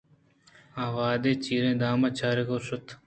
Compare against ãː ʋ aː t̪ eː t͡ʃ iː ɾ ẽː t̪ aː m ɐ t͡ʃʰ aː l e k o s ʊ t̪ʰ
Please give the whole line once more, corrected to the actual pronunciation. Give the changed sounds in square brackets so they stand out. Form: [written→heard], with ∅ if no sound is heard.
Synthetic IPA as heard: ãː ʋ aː [t̪→d̪] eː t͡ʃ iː ɾ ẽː [t̪→d̪] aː m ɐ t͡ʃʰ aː [l→ɾ] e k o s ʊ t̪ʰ